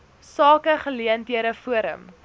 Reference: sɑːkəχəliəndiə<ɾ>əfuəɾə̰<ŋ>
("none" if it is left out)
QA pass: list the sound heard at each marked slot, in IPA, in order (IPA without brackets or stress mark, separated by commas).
ɾ, m